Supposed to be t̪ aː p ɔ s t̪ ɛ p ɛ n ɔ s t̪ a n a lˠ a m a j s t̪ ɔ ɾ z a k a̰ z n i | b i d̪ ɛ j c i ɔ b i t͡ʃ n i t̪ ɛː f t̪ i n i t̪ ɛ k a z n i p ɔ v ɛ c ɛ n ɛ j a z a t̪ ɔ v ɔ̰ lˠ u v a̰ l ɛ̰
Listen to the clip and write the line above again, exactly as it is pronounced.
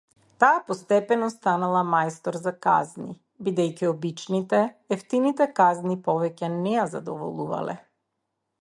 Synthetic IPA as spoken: t̪ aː p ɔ s t̪ ɛ p ɛ n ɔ s t̪ a n a lˠ a m a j s t̪ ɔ ɾ z a k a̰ z n i | b i d̪ ɛ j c i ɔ b i t͡ʃ n i t̪ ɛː f t̪ i n i t̪ ɛ k a z n i p ɔ v ɛ c ɛ n ɛ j a z a d̪ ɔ v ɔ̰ lˠ u v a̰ l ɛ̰

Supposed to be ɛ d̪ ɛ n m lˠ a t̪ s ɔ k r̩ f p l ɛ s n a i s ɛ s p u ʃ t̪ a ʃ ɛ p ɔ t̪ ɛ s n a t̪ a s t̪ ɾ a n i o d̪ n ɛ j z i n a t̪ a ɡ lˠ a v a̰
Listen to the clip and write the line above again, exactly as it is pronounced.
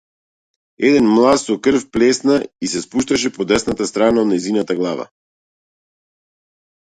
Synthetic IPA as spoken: ɛ d̪ ɛ n m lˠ a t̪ s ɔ k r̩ f p l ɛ s n a i s ɛ s p u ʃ t̪ a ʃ ɛ p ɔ d̪ ɛ s n a t̪ a s t̪ ɾ a n a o d̪ n ɛ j z i n a t̪ a ɡ lˠ a v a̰

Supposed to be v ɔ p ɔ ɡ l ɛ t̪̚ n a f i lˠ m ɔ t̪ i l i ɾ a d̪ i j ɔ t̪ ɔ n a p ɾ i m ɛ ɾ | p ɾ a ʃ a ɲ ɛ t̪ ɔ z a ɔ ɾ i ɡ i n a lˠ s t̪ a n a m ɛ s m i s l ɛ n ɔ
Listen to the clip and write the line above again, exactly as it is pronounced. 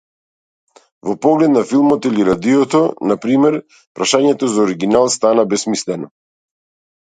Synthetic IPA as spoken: v ɔ p ɔ ɡ l ɛ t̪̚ n a f i lˠ m ɔ t̪ i l i ɾ a d̪ i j ɔ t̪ ɔ n a p ɾ i m ɛ ɾ | p ɾ a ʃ a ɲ ɛ t̪ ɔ z a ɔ ɾ i ɡ i n a lˠ s t̪ a n a b ɛ s m i s l ɛ n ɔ

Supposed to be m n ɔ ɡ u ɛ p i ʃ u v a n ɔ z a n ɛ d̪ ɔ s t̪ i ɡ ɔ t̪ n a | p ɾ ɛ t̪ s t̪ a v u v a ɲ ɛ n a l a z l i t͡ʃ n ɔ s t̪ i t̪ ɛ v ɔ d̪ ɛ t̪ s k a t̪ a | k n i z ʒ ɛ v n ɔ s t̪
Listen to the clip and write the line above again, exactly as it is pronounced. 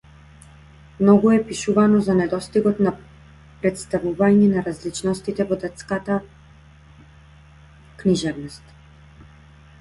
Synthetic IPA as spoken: m n ɔ ɡ u ɛ p i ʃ u v a n ɔ z a n ɛ d̪ ɔ s t̪ i ɡ ɔ t̪ n a | p ɾ ɛ t̪ s t̪ a v u v a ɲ ɛ n a ɾ a z l i t͡ʃ n ɔ s t̪ i t̪ ɛ v ɔ d̪ ɛ t̪ s k a t̪ a | k n i ʒ ɛ v n ɔ s t̪

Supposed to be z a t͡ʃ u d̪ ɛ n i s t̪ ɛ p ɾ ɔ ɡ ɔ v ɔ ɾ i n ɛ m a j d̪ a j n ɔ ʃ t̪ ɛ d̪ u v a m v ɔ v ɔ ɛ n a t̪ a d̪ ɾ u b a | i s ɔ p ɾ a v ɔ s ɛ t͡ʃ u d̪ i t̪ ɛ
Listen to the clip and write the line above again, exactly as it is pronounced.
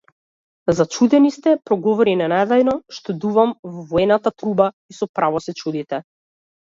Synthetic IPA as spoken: z a t͡ʃ u d̪ ɛ n i s t̪ ɛ p ɾ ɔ ɡ ɔ v ɔ ɾ i n ɛ n a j d̪ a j n ɔ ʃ t̪ ɛ d̪ u v a m v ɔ v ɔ ɛ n a t̪ a t̪ ɾ u b a | i s ɔ p ɾ a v ɔ s ɛ t͡ʃ u d̪ i t̪ ɛ

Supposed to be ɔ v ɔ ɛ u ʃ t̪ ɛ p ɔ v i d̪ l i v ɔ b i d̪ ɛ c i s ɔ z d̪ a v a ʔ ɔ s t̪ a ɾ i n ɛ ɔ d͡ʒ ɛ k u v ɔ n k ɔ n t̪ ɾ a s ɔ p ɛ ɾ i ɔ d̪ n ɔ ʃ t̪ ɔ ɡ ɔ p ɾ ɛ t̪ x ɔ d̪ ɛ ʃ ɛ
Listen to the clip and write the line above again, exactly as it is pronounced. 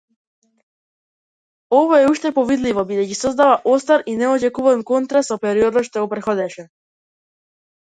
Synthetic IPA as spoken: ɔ v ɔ ɛ u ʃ t̪ ɛ p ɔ v i d̪ l i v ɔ b i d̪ ɛ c i s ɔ z d̪ a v a ʔ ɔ s t̪ a ɾ i n ɛ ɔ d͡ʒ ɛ k u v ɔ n k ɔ n t̪ ɾ a s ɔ p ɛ ɾ i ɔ d̪ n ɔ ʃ t̪ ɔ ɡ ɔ p ɾ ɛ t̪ x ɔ d̪ ɛ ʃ ɛ

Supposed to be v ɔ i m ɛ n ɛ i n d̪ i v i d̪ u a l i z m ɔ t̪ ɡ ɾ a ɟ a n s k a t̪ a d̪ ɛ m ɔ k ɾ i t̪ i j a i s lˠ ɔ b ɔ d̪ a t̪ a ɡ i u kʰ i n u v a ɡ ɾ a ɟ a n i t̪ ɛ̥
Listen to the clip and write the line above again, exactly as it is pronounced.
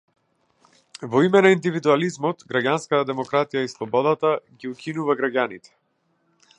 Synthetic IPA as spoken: v ɔ i m ɛ n a i n d̪ i v i d̪ u a l i z m ɔ t̪ ɡ ɾ a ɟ a n s k a t̪ a d̪ ɛ m ɔ k ɾ a t̪ i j a i s lˠ ɔ b ɔ d̪ a t̪ a ɡ i u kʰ i n u v a ɡ ɾ a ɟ a n i t̪ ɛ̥

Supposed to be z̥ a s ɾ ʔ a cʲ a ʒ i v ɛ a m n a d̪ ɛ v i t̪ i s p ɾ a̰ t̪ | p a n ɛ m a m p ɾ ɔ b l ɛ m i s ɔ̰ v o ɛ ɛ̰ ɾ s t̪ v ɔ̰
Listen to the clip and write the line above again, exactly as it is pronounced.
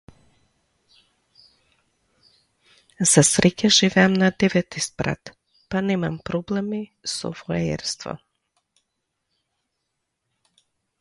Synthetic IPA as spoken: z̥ a s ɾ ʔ ɛ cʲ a ʒ i v ɛ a m n a d̪ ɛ v ɛ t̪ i s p ɾ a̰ t̪ | p a n ɛ m a m p ɾ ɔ b l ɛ m i s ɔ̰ v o ɛ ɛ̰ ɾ s t̪ v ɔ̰

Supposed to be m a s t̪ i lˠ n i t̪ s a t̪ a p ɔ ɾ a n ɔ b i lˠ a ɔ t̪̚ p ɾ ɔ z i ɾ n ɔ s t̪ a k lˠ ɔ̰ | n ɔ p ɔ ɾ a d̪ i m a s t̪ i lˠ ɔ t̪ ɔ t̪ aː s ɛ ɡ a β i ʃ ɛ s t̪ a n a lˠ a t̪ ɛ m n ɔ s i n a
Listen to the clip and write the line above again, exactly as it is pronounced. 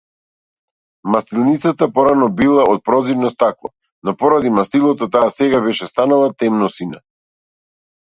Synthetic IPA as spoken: m a s t̪ i lˠ n i t̪ s a t̪ a p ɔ ɾ a n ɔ b i lˠ a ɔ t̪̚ p ɾ ɔ z i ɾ n ɔ s t̪ a k lˠ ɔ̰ | n ɔ p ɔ ɾ a d̪ i m a s t̪ i lˠ ɔ t̪ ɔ t̪ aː s ɛ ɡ a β ɛ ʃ ɛ s t̪ a n a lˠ a t̪ ɛ m n ɔ s i n a

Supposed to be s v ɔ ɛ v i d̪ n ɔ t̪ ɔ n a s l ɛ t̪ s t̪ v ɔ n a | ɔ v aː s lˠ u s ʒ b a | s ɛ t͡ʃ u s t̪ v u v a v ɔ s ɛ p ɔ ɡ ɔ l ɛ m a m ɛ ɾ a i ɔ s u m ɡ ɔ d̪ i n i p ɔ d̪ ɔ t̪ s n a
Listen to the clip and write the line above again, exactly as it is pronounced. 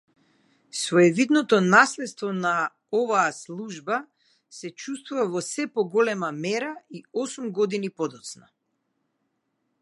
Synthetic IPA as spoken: s v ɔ ɛ v i d̪ n ɔ t̪ ɔ n a s l ɛ t̪ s t̪ v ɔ n a | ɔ v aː s lˠ u ʒ b a | s ɛ t͡ʃ u s t̪ v u v a v ɔ s ɛ p ɔ ɡ ɔ l ɛ m a m ɛ ɾ a i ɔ s u m ɡ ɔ d̪ i n i p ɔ d̪ ɔ t̪ s n a

